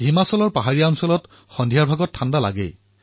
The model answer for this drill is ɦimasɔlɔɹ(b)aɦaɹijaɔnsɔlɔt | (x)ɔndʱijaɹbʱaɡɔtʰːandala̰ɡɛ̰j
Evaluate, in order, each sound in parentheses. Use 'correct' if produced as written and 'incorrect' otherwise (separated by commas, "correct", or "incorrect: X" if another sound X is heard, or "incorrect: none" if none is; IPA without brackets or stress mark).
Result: incorrect: p, correct